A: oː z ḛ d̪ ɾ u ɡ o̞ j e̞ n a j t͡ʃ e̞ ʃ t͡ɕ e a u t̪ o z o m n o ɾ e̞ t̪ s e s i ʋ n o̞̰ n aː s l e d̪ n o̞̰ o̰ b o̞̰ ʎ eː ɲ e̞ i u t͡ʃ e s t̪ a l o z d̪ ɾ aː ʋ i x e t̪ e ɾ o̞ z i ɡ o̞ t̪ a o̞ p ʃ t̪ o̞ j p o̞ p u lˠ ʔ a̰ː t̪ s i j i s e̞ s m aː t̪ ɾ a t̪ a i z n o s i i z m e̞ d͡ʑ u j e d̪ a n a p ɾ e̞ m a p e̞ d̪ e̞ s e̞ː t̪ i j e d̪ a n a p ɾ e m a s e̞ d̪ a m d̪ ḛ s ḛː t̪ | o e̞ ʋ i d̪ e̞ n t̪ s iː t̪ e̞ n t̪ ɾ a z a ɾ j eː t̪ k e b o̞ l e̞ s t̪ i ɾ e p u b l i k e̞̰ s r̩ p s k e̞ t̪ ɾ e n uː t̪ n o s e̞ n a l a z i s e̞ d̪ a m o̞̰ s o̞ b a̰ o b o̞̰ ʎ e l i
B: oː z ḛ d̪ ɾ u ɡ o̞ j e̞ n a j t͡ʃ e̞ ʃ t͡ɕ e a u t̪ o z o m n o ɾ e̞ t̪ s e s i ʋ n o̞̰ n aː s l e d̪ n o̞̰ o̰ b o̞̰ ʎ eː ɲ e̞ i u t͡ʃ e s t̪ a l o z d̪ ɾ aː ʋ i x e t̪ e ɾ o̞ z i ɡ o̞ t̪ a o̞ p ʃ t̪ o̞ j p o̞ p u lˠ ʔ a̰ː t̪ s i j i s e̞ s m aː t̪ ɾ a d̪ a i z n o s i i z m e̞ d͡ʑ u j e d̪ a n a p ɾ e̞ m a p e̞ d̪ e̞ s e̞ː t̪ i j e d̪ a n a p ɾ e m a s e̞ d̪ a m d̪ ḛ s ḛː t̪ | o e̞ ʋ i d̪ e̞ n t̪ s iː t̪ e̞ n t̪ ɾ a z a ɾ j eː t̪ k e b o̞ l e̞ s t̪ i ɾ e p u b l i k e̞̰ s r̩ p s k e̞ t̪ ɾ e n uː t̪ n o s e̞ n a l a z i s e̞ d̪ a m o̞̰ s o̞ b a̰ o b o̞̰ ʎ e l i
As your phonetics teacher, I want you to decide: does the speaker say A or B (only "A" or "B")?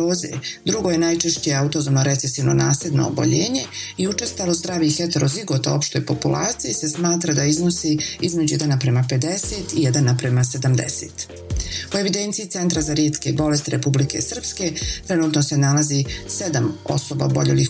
B